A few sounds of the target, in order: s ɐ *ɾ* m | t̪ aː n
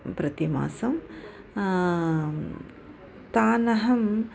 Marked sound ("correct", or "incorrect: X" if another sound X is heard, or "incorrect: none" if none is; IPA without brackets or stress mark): incorrect: none